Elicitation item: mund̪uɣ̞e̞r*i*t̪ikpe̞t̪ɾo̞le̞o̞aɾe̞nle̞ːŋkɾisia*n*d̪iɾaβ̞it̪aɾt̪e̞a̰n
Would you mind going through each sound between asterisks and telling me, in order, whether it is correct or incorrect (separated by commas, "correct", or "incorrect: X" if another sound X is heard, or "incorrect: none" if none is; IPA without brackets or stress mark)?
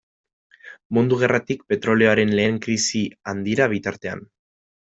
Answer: incorrect: a, correct